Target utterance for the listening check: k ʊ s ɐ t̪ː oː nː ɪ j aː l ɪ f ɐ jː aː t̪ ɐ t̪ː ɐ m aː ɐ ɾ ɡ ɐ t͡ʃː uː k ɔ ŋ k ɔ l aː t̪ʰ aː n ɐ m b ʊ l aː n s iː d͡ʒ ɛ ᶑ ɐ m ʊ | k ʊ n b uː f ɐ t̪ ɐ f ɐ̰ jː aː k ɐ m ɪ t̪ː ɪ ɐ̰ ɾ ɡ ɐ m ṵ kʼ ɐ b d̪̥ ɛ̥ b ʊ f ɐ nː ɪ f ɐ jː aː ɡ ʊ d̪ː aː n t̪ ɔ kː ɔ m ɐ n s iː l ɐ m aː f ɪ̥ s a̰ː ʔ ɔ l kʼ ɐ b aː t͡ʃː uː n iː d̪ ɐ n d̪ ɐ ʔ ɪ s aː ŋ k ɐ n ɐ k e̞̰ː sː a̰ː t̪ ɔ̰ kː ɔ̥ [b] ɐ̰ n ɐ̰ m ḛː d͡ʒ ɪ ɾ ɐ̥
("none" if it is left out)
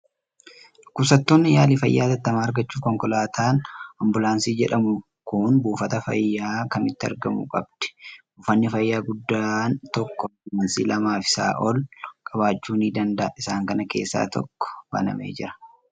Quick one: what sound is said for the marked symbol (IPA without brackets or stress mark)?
b